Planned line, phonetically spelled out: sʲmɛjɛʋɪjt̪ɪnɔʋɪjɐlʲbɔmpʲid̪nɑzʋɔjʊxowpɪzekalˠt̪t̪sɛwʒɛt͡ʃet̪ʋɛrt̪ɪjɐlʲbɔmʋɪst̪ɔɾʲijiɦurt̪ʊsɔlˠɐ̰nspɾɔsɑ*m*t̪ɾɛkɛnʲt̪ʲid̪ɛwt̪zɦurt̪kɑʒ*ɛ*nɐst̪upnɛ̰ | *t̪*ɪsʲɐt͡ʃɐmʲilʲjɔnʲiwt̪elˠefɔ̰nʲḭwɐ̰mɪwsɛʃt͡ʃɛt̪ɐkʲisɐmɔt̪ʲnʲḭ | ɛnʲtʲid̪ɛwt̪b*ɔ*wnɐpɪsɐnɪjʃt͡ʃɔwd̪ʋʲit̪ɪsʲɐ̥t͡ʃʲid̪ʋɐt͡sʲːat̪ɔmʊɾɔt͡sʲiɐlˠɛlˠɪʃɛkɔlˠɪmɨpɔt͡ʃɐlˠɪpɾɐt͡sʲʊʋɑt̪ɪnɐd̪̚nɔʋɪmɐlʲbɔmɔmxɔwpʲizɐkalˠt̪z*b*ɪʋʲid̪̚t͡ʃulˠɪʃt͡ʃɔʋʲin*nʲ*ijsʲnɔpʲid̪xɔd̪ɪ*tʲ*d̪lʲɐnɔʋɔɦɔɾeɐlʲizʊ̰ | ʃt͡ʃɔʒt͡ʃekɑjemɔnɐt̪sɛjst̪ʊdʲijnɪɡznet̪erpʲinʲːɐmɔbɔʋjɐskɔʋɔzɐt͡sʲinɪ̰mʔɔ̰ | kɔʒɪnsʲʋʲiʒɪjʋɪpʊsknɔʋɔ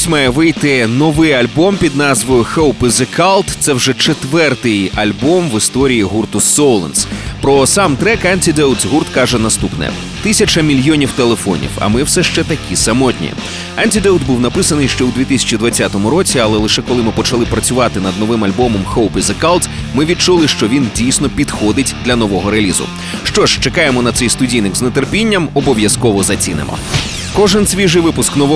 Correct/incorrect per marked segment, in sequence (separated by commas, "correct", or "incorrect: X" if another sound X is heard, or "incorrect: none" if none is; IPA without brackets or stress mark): correct, correct, correct, incorrect: u, incorrect: m, incorrect: dʲ, correct